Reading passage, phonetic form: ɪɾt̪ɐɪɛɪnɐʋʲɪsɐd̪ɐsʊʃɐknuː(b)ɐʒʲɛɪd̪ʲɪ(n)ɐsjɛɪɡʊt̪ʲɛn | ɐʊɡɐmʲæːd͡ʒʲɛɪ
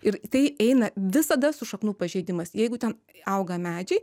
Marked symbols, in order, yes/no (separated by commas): no, no